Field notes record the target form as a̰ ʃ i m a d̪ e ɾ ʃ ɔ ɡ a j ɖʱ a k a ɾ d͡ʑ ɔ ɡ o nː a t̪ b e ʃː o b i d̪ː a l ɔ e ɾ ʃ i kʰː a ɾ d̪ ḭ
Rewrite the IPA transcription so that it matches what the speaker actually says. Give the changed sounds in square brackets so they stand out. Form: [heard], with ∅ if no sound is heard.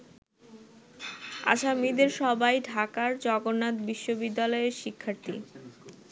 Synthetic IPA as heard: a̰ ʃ [a] m [i] d̪ e ɾ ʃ ɔ [b] a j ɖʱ a k a ɾ d͡ʑ ɔ ɡ o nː a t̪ b [i] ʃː o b i d̪ː a l ɔ e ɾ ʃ i kʰː a ɾ [t̪] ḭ